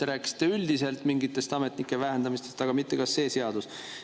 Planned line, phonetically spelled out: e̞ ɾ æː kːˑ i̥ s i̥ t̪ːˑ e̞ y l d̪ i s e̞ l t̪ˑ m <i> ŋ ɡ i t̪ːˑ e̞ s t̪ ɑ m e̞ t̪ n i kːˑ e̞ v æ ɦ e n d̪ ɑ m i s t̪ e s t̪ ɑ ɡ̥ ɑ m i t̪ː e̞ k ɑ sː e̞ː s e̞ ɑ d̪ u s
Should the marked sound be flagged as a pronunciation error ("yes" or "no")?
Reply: no